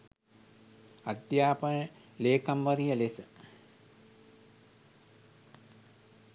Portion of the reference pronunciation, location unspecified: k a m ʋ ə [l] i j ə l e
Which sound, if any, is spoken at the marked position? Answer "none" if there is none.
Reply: ɾ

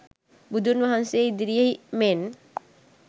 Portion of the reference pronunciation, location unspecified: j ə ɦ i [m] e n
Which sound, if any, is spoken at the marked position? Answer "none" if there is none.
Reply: m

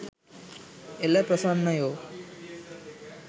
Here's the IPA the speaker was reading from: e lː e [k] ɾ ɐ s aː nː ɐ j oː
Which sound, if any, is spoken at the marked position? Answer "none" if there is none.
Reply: p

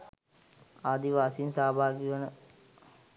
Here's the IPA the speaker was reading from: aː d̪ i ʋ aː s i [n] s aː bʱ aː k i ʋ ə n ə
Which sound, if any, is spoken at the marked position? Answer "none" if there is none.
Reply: n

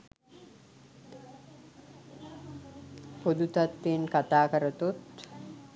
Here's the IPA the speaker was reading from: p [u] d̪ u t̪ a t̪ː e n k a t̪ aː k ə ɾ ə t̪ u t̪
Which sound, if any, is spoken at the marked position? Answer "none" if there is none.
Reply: o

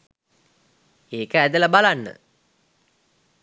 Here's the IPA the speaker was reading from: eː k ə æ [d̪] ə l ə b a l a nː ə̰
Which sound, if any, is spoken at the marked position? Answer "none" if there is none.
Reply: d̪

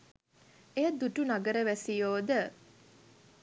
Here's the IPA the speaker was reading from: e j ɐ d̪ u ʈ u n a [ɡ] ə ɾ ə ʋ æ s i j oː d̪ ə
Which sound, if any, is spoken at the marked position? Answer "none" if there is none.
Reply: ɡ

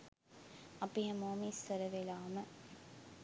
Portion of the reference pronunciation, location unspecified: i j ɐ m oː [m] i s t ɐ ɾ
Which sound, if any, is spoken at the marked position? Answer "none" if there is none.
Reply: m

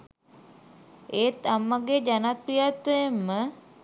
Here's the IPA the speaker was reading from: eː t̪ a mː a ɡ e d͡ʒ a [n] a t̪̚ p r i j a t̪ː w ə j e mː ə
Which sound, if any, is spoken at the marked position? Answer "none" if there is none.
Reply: n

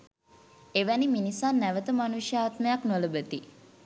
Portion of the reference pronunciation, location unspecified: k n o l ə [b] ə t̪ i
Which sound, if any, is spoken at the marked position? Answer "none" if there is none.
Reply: b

